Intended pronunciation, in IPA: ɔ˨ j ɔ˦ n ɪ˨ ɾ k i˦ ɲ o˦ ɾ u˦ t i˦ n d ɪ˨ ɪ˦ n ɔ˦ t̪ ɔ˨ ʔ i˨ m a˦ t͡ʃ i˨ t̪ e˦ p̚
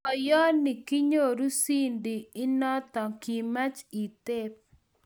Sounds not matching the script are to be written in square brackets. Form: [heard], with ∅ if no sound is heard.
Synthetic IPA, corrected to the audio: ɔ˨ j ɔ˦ n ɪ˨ [∅] k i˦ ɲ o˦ ɾ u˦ [s] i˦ n d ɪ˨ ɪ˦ n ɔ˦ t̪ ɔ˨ [k] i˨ m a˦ t͡ʃ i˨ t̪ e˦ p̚